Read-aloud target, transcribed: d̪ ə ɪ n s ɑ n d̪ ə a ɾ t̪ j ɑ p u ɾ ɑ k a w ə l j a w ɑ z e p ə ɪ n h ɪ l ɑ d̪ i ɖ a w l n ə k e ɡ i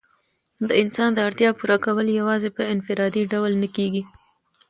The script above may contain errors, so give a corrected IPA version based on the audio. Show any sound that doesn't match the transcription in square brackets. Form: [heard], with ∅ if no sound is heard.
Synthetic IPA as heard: d̪ ə ɪ n s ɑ n d̪ ə a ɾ t̪ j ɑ p u ɾ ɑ k a w ə l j a w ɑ z e p ə ɪ n [f] ɪ [ɾ] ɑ d̪ i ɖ a w l n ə k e ɡ i